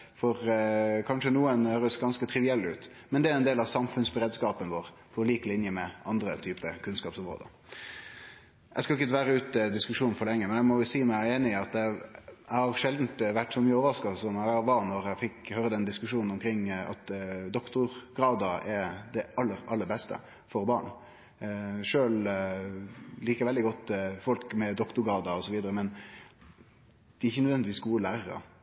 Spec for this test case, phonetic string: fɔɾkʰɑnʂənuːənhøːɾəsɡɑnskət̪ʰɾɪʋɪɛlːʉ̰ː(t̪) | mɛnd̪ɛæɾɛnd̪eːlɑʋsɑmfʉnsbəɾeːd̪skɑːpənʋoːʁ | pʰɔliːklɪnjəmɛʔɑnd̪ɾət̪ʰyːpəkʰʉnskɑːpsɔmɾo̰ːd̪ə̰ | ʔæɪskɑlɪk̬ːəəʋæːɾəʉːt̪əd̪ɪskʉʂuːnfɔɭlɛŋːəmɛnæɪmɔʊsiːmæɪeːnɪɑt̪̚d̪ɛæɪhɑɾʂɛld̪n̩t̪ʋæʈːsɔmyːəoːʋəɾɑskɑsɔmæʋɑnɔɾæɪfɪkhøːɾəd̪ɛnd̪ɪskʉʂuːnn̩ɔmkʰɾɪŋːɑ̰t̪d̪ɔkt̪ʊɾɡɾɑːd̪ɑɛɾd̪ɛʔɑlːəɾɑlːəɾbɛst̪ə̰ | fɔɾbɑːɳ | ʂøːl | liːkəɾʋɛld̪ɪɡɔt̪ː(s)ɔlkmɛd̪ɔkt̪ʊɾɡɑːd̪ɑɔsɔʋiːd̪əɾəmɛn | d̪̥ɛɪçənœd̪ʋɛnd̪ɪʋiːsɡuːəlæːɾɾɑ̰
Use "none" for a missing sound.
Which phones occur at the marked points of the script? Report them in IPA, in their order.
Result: t̪, f

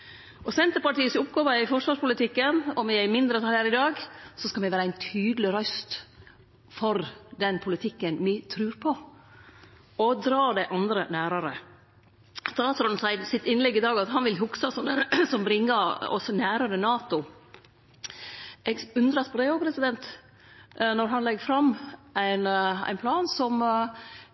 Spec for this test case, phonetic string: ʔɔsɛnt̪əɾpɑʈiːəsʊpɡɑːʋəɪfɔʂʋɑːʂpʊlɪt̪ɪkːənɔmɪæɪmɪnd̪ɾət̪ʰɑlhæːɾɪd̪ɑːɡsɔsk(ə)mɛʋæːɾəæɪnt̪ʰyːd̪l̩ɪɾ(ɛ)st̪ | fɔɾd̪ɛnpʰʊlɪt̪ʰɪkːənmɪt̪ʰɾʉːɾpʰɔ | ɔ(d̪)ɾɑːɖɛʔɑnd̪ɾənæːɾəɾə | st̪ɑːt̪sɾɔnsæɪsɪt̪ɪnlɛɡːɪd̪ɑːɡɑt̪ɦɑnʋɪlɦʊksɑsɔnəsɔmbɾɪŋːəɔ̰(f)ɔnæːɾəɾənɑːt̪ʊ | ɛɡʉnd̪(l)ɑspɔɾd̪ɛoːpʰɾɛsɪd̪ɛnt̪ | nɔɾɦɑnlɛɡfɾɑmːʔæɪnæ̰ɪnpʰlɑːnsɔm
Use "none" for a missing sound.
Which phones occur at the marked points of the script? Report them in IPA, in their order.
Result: ɑ, œ, d̪, s, ɾ

